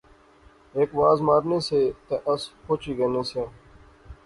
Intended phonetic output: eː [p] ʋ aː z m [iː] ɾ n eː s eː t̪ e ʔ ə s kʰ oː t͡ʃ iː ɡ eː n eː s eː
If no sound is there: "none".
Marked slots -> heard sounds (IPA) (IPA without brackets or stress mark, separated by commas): k, aː